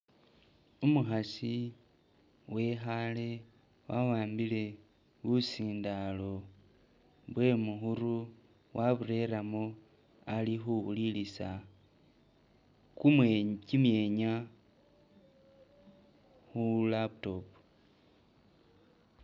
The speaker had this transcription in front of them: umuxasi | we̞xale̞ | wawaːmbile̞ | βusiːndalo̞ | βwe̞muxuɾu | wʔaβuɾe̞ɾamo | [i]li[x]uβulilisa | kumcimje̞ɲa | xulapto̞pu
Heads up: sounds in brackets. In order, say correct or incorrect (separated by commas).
incorrect, correct